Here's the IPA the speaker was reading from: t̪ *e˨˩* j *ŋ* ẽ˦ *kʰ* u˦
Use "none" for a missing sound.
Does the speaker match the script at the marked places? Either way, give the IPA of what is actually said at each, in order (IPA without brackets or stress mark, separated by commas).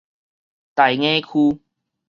a˨˩, ŋ, kʰ